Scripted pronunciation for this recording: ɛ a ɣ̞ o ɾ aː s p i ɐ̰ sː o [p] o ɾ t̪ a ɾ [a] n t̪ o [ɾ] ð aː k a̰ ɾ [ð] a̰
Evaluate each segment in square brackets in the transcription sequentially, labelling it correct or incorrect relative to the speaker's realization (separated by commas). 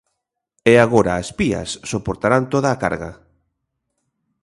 correct, correct, incorrect, incorrect